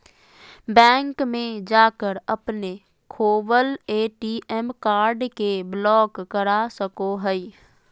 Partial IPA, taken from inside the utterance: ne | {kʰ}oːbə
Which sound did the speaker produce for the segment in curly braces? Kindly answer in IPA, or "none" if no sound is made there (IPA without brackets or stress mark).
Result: kʰ